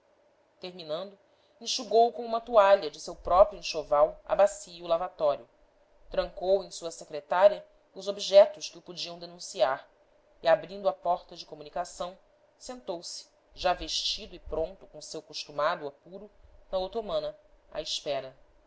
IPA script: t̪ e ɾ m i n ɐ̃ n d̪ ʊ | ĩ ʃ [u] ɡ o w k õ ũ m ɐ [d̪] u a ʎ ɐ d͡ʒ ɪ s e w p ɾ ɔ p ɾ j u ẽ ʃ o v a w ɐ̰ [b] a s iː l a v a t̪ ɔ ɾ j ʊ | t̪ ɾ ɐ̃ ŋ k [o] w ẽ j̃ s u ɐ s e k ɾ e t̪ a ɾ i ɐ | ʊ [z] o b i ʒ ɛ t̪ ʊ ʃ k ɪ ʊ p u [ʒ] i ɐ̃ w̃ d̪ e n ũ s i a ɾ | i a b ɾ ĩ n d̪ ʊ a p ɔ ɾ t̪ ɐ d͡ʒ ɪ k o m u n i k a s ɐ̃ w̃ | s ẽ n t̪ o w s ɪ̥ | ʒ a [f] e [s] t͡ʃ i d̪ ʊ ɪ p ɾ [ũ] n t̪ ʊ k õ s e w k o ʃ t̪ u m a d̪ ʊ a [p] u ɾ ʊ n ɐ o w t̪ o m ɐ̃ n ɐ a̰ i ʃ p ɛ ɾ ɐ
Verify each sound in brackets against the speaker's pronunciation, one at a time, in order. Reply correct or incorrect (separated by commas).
correct, incorrect, correct, correct, correct, incorrect, incorrect, incorrect, incorrect, correct